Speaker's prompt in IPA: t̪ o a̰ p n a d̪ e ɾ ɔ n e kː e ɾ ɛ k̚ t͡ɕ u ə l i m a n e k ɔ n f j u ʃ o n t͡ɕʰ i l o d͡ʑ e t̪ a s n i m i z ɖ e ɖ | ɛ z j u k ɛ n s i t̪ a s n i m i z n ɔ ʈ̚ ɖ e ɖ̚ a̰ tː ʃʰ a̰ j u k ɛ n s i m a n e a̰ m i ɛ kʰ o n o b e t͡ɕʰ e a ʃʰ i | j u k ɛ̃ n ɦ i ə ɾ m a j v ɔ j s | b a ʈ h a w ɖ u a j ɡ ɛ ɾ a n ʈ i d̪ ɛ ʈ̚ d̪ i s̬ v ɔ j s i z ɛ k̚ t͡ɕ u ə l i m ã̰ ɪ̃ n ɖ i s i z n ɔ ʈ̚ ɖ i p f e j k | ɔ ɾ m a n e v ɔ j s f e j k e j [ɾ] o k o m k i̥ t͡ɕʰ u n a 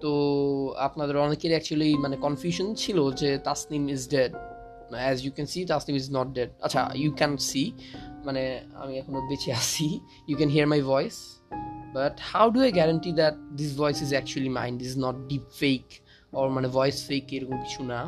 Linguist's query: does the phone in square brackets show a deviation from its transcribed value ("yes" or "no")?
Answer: no